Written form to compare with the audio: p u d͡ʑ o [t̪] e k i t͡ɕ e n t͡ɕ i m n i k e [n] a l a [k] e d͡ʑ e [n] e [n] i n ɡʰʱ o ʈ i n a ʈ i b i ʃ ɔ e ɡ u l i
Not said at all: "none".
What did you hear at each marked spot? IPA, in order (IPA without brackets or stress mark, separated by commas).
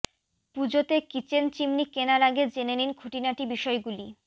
t̪, n, ɡ, n, n